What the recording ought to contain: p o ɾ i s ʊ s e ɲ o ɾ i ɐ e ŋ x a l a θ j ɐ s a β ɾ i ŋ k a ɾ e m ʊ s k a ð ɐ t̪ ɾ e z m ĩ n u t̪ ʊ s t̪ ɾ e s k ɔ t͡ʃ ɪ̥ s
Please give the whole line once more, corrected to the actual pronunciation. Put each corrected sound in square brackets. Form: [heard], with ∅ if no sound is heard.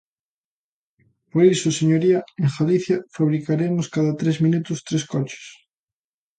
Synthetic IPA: p o ɾ i s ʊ s e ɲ o ɾ i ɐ e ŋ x a l [i] θ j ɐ [f] a β ɾ i [∅] k a ɾ e m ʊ s k a ð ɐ t̪ ɾ e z m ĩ n u t̪ ʊ s t̪ ɾ e s k ɔ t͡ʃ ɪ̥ s